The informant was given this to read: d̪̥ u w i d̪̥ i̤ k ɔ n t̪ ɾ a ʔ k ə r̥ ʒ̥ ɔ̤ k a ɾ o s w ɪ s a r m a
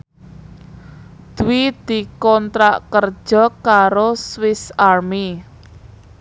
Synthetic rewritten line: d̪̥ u w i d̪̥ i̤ k ɔ n t̪ ɾ a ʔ k ə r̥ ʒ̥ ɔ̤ k a ɾ o s w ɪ s a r m i

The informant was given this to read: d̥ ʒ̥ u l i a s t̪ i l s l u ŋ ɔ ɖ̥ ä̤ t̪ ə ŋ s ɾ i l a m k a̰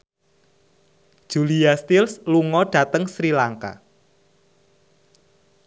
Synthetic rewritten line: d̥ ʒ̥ u l i a s t̪ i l s l u ŋ ɔ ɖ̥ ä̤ t̪ ə ŋ s ɾ i l a ŋ k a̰

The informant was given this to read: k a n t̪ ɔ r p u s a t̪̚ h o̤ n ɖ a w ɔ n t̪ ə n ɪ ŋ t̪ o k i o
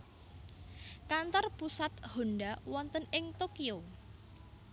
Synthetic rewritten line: k a n t̪ ɔ r p u s a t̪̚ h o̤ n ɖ a w ɔ n t̪ ə n ɪ ŋ t̪ o k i o

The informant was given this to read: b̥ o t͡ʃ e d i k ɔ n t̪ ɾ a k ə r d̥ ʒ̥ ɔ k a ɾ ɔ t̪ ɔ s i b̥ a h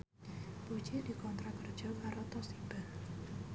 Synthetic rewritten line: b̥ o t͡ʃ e d i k ɔ n t̪ ɾ a k ə r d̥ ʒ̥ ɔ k a ɾ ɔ t̪ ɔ s i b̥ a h

